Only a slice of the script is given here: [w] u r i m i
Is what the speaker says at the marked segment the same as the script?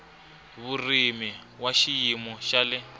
no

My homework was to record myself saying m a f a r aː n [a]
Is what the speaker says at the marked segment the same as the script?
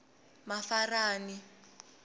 no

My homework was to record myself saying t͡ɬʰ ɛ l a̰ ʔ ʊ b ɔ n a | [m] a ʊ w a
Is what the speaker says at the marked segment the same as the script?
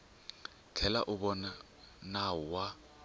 no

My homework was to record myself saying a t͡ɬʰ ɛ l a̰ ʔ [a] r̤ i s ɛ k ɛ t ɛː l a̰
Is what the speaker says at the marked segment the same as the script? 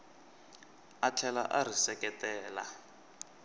yes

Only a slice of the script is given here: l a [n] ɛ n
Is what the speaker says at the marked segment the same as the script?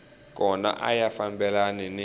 yes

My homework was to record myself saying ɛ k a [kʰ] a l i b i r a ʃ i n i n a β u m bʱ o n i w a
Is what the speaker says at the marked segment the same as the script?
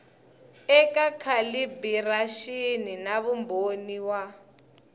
yes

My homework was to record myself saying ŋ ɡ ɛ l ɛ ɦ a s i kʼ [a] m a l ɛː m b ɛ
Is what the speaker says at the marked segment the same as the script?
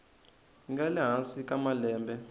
yes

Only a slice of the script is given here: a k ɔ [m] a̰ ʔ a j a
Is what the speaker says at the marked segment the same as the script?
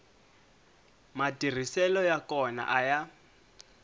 no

